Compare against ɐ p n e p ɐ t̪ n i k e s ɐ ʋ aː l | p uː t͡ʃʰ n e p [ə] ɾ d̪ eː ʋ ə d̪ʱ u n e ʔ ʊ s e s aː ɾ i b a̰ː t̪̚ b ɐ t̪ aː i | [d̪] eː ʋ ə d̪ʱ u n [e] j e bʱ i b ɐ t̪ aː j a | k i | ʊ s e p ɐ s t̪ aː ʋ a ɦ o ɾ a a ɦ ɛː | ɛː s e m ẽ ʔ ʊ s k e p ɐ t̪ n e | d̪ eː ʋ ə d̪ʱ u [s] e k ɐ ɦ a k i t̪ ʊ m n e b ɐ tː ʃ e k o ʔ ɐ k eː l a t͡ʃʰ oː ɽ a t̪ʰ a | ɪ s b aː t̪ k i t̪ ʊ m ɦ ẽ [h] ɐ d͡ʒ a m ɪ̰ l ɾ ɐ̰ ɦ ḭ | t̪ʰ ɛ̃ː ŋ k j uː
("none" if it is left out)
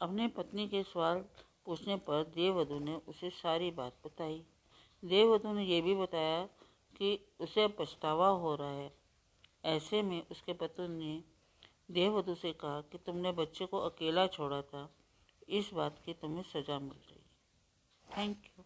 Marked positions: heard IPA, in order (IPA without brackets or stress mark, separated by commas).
ɐ, d̪, e, s, s